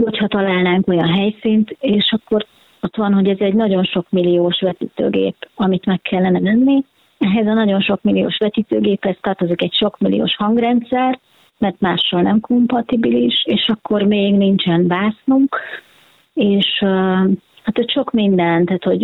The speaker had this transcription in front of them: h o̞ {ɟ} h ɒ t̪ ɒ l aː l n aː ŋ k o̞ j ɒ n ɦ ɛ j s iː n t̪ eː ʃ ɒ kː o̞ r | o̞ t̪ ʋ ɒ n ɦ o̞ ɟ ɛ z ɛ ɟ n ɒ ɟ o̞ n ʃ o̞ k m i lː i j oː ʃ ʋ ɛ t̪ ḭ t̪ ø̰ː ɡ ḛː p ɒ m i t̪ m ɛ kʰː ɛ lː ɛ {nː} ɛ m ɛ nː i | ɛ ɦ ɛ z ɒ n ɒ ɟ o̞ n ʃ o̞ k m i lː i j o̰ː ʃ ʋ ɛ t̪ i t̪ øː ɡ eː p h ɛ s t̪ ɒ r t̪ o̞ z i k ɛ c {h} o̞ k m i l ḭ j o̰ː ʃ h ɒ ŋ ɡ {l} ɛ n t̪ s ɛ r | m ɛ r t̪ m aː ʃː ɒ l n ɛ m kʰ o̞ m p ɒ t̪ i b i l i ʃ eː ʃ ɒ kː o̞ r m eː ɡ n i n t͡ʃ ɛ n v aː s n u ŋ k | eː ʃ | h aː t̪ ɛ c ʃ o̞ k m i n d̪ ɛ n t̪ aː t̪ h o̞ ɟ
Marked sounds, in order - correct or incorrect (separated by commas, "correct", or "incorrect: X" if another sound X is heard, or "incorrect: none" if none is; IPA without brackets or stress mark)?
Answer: incorrect: c, incorrect: n, incorrect: ʃ, incorrect: r